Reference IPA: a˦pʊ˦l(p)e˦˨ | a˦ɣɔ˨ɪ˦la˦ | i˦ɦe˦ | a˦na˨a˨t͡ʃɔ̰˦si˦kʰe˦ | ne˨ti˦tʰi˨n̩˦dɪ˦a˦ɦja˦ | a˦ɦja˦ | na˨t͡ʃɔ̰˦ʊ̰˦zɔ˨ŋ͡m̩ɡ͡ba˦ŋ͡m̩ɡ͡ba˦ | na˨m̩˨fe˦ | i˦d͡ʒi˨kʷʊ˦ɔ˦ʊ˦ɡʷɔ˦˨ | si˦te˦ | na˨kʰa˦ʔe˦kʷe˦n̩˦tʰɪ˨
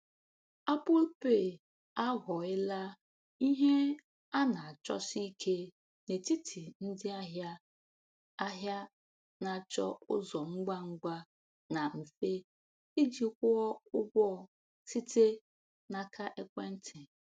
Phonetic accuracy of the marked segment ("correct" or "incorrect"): correct